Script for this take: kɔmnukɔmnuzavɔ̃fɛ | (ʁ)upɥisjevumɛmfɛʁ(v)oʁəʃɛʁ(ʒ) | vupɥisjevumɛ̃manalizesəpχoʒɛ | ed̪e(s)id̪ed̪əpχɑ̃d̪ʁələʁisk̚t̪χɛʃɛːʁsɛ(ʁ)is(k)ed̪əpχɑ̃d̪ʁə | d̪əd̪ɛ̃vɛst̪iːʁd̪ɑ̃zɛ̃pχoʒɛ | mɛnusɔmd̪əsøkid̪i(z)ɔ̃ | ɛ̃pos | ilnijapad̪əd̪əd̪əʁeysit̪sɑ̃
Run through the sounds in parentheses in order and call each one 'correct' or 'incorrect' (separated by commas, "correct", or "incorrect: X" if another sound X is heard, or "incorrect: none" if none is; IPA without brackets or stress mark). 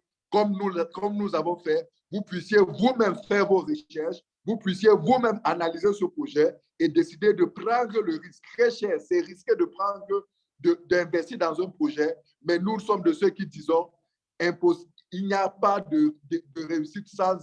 incorrect: v, correct, incorrect: ʃ, correct, correct, correct, correct